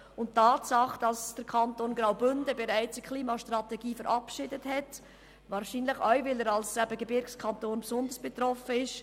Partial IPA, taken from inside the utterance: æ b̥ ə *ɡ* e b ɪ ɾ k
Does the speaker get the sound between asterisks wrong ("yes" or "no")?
no